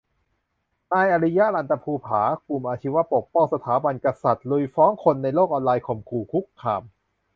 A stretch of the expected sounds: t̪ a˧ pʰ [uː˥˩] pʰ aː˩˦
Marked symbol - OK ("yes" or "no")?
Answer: no